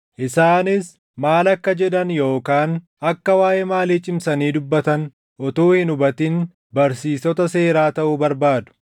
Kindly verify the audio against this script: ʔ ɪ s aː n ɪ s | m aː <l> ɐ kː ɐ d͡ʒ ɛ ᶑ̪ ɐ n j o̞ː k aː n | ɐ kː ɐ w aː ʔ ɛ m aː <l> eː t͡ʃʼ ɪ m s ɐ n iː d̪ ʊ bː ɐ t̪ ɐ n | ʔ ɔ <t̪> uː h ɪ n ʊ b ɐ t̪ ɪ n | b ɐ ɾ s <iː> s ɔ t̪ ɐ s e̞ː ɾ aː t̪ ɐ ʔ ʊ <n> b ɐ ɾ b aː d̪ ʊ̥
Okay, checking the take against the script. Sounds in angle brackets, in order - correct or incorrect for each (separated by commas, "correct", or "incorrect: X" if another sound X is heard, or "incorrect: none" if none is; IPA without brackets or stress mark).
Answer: correct, correct, correct, correct, incorrect: none